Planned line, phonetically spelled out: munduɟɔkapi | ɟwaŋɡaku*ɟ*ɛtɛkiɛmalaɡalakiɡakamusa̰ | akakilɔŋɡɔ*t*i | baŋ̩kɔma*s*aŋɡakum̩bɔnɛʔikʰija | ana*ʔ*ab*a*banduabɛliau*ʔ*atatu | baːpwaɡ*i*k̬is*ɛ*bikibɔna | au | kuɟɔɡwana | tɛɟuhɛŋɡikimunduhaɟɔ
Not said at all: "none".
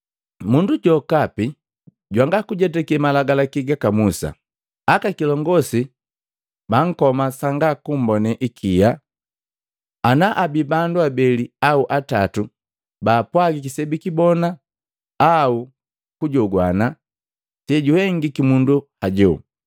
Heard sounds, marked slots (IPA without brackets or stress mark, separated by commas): ɟ, s, s, ʔ, i, ʔ, i, ɛ